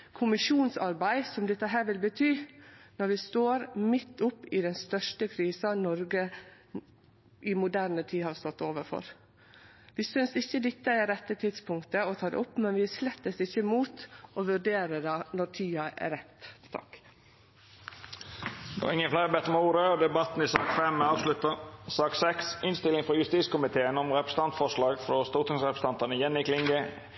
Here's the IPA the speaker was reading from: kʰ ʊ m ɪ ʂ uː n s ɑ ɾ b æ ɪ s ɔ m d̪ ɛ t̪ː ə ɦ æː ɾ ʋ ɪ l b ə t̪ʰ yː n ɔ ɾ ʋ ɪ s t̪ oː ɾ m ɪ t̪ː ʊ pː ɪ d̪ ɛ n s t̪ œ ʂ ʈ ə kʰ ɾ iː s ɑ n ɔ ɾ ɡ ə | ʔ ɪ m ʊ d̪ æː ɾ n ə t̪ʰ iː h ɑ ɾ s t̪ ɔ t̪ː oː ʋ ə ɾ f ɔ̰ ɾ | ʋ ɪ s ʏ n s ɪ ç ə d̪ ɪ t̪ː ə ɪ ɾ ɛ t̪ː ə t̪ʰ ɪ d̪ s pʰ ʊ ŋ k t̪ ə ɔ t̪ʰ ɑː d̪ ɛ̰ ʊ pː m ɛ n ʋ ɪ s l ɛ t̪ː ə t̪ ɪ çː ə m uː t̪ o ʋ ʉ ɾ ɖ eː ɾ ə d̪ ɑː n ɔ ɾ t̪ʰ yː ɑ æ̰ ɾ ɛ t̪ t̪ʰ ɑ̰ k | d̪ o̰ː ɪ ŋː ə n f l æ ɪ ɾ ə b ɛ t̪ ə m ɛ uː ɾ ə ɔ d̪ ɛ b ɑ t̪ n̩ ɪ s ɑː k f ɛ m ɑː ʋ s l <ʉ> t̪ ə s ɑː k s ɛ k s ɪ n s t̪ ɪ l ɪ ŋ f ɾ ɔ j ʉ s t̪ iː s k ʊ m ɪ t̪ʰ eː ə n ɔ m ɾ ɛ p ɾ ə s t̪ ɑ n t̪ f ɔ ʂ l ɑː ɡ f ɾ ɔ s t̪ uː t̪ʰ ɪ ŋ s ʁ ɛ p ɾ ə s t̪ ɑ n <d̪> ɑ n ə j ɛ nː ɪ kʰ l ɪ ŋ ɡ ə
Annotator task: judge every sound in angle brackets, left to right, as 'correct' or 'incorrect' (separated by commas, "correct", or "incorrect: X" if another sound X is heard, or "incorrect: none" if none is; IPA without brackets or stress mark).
correct, incorrect: t̪